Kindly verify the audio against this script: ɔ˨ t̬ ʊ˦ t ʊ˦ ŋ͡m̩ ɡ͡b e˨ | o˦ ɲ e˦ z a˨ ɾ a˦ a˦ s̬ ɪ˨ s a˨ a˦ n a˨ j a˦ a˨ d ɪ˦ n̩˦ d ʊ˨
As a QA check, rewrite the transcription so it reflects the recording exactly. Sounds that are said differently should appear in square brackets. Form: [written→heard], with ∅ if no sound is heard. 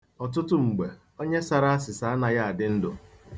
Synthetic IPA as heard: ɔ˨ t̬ ʊ˦ t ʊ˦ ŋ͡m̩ ɡ͡b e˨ | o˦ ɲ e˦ [z→s] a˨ ɾ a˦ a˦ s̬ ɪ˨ s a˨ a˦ n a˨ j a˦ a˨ d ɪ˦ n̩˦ d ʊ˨